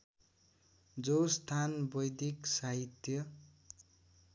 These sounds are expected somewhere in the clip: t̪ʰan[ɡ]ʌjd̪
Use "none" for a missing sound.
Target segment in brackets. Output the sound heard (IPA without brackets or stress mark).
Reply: b